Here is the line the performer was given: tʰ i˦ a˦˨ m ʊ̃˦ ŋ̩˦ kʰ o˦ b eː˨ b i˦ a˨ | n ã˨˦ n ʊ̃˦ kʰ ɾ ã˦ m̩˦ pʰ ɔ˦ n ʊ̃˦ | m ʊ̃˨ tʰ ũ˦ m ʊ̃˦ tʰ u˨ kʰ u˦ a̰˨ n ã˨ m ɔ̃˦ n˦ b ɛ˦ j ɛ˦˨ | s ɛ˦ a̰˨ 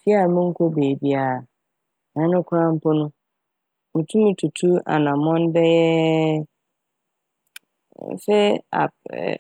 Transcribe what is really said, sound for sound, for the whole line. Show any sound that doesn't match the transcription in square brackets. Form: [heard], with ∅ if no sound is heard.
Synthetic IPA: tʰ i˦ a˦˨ m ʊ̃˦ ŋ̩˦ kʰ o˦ b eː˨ b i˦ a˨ | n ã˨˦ n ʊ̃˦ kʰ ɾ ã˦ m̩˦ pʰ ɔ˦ n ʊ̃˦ | m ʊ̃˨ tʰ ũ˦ m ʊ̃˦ tʰ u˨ [tʰ] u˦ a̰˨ n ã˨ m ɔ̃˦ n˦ b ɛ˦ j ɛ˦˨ | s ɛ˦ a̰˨